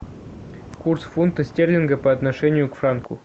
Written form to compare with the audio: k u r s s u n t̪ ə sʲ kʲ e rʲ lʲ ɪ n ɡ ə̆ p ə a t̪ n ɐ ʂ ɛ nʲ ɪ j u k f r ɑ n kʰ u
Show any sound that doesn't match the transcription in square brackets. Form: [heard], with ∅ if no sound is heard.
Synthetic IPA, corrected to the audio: k u r s [f] u n t̪ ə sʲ [tʲ] e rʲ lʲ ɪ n ɡ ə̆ p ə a t̪ n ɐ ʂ ɛ nʲ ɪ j u k f r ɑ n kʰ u